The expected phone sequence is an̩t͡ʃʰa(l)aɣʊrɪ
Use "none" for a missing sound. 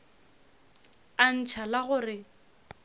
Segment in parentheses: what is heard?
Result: l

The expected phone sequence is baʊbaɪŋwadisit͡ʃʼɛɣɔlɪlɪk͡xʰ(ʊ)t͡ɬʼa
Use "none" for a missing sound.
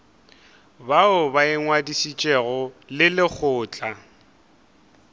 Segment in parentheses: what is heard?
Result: ʊː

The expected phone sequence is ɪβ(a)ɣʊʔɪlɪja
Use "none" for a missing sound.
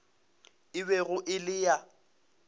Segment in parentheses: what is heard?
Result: ɛ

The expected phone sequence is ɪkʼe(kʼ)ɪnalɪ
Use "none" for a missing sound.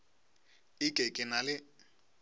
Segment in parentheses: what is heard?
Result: kʼ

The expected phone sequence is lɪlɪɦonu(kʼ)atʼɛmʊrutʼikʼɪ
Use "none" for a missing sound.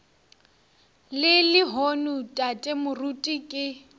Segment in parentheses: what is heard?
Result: tʼ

